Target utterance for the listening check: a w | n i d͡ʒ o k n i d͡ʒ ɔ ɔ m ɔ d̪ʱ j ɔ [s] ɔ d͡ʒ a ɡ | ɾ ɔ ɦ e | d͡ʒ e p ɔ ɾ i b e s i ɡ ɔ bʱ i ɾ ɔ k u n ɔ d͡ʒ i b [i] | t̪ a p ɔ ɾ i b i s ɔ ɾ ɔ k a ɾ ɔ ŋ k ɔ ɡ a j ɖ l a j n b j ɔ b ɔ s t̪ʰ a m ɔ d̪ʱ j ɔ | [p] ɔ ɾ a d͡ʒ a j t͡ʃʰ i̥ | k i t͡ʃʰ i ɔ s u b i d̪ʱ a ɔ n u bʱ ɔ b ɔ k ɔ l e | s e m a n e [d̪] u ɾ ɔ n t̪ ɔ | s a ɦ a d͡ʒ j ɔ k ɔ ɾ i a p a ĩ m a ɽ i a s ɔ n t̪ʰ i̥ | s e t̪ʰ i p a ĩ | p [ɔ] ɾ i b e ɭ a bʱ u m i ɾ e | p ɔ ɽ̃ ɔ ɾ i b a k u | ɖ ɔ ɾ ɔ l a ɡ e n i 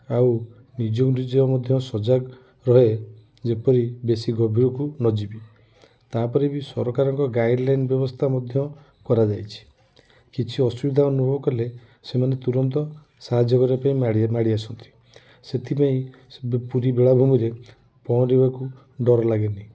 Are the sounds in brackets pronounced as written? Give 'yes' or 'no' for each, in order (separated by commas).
yes, yes, no, no, no